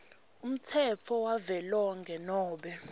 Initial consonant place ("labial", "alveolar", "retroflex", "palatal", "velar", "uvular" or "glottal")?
labial